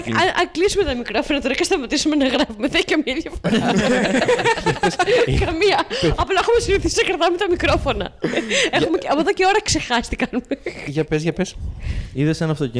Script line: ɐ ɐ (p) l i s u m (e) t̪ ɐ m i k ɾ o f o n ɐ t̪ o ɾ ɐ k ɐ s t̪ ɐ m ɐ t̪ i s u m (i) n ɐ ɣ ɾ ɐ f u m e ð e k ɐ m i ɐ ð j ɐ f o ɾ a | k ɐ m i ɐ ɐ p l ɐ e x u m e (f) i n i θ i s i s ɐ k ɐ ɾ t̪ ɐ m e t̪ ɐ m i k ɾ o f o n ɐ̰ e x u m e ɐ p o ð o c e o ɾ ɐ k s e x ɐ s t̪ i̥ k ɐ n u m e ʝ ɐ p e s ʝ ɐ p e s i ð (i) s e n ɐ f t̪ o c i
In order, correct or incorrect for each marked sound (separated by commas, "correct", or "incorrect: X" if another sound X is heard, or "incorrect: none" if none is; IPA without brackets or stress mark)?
incorrect: k, correct, incorrect: e, incorrect: s, incorrect: e